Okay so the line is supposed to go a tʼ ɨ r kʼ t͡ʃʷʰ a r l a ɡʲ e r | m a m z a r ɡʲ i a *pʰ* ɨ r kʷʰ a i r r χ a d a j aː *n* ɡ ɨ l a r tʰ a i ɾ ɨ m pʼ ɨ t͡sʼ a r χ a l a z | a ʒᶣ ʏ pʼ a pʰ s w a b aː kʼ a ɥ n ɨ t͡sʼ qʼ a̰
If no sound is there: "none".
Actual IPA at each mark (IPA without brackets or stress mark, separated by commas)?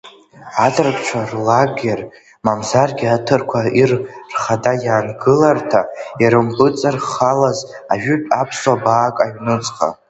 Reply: tʰ, n